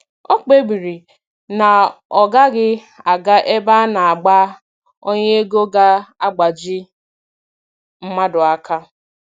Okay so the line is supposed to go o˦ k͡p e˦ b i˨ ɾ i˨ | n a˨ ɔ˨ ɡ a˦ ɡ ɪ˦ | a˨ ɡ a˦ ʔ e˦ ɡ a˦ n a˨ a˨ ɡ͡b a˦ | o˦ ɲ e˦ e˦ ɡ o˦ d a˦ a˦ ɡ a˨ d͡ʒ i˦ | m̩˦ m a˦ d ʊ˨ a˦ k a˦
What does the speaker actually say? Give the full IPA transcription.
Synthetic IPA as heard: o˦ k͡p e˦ b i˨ ɾ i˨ | n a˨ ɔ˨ ɡ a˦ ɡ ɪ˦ | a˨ ɡ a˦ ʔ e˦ b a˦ n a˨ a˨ ɡ͡b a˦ | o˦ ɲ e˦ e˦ ɡ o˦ ɡ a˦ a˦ ɡ͡b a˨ d͡ʒ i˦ | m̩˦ m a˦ d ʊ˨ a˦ k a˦